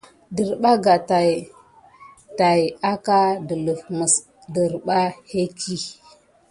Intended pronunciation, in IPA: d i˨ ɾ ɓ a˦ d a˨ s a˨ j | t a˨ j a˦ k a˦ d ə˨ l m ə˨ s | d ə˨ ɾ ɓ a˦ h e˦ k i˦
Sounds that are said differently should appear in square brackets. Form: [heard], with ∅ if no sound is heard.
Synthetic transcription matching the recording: d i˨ ɾ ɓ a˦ [ɡ] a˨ [t] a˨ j | t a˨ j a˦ k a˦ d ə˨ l m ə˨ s | d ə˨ ɾ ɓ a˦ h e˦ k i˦